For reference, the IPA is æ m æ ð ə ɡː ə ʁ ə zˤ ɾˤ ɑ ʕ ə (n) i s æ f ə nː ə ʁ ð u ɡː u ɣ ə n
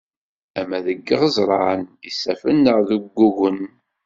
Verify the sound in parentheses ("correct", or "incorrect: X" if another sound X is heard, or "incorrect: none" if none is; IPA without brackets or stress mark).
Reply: correct